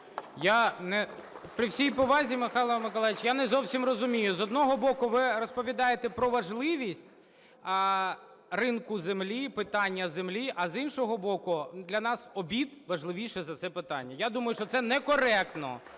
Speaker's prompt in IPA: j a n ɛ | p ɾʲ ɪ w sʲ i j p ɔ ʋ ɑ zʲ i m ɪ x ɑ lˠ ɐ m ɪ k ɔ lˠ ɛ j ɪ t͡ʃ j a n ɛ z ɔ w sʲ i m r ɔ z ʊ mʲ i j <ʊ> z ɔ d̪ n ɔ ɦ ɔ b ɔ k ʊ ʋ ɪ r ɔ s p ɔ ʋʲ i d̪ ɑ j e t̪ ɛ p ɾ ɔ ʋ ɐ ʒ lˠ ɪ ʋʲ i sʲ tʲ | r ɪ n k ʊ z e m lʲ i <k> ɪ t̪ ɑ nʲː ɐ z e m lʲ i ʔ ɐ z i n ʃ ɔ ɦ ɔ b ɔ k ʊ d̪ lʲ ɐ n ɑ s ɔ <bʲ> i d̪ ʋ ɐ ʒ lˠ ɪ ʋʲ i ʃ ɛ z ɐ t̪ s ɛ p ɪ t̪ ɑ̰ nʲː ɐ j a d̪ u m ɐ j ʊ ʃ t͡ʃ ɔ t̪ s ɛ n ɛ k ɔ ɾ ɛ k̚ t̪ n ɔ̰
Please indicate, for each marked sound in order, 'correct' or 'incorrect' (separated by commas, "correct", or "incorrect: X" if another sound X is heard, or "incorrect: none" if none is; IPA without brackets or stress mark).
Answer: correct, incorrect: p, correct